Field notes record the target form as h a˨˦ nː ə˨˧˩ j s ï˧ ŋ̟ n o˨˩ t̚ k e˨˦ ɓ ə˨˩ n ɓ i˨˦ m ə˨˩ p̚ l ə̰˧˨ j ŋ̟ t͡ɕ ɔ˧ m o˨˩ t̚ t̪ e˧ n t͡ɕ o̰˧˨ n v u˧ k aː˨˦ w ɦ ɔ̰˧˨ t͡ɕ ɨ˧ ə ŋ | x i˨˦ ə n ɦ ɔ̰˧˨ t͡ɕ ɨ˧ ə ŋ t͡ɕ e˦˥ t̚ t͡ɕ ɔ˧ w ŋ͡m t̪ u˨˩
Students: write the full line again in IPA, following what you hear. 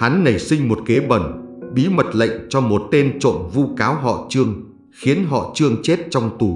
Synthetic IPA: h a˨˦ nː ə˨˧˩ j s ï˧ ŋ̟ m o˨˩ t̚ k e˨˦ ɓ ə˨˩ n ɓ i˨˦ m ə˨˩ t̚ l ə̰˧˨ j ŋ̟ t͡ɕ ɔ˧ m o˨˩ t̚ t̪ e˧ n t͡ɕ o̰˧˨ n v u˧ k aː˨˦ w ɦ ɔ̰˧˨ t͡ɕ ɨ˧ ə ŋ | x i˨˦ ə n ɦ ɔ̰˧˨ t͡ɕ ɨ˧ ə ŋ t͡ɕ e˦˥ t̚ t͡ɕ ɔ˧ w ŋ͡m t̪ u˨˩

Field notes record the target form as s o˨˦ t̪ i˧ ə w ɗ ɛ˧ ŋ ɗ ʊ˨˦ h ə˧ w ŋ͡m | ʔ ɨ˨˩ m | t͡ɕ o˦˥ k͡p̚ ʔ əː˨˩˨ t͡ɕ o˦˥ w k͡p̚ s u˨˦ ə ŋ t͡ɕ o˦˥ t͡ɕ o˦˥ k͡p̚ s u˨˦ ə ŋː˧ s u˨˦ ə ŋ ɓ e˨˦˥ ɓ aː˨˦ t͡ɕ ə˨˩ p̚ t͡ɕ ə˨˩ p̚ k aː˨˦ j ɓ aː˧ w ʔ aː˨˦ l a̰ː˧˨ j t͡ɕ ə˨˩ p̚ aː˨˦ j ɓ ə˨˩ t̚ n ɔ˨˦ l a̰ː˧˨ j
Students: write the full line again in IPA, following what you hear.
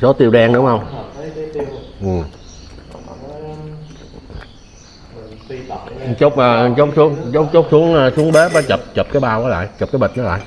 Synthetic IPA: s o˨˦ t̪ i˧ ə w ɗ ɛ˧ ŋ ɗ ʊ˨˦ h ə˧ w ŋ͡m | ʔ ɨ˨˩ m | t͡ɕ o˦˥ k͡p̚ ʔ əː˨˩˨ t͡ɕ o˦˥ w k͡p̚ s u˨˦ ə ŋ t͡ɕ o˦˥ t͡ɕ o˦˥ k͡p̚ s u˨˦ ə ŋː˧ s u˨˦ ə ŋ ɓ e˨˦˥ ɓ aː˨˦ t͡ɕ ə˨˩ p̚ t͡ɕ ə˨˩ p̚ k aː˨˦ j ɓ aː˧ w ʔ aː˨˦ l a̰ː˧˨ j t͡ɕ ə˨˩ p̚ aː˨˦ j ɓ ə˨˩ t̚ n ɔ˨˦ l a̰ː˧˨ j

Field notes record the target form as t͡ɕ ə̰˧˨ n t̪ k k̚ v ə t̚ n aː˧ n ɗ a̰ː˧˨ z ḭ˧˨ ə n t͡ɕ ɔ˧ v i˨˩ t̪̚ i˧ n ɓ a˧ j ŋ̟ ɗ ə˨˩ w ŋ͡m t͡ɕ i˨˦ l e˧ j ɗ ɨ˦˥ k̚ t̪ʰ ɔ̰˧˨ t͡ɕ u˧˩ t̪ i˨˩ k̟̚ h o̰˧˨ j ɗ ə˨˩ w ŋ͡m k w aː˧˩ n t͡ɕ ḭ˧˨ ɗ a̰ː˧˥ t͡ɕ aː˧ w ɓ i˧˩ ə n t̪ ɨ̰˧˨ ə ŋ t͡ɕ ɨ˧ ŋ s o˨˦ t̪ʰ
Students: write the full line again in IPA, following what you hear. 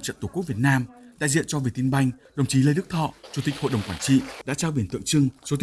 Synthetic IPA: t͡ɕ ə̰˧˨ n t̪ k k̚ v ə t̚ n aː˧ m ɗ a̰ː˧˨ z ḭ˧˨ ə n t͡ɕ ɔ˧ v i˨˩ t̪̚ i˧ n ɓ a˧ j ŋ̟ ɗ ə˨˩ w ŋ͡m t͡ɕ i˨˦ l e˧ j ɗ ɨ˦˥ k̚ t̪ʰ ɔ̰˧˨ t͡ɕ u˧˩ t̪ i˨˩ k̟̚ h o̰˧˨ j ɗ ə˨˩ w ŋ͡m k w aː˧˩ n t͡ɕ ḭ˧˨ ɗ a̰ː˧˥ t͡ɕ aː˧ w ɓ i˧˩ ə n t̪ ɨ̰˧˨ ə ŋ t͡ɕ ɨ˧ ŋ s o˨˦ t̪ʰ

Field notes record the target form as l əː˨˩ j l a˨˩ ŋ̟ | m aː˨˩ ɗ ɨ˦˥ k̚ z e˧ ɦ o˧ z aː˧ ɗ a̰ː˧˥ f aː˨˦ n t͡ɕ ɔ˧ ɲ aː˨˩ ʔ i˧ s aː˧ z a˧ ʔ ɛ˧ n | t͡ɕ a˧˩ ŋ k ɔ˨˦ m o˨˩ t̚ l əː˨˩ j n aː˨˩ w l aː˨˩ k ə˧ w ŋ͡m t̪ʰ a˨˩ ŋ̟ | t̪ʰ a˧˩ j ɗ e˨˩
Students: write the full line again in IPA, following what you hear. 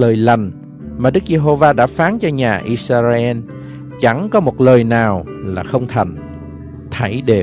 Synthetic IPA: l əː˨˩ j l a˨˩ ŋ̟ | m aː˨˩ ɗ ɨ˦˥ k̚ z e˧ ɦ o˧ v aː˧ ɗ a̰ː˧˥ f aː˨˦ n t͡ɕ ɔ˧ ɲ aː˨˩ ʔ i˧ s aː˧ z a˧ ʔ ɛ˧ n | t͡ɕ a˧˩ ŋ k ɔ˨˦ m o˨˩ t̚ l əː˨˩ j n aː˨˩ w l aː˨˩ x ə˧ w ŋ͡m t̪ʰ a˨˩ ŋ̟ | t̪ʰ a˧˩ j ɗ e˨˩

